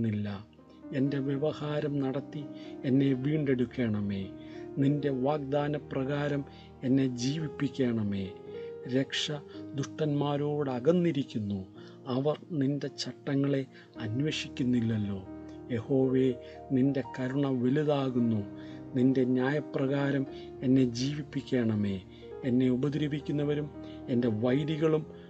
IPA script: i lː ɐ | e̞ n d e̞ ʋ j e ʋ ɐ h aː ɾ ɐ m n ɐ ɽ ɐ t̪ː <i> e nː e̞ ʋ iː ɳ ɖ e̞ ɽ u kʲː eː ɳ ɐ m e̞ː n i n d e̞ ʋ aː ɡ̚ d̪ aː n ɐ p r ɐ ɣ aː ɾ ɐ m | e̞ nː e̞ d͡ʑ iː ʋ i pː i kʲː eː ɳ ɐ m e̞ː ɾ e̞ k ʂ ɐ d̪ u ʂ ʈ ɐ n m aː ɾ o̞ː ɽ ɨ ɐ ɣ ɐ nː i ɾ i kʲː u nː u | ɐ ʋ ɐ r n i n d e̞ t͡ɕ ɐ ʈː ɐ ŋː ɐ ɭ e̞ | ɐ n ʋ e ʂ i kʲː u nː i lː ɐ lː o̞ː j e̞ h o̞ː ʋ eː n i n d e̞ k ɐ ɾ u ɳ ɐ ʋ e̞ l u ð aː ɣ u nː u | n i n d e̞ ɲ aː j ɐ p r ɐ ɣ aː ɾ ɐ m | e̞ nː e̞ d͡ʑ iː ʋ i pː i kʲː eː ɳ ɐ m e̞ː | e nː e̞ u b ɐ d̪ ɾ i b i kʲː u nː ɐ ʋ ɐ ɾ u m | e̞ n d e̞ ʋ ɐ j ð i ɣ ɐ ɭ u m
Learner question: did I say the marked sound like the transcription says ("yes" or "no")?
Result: yes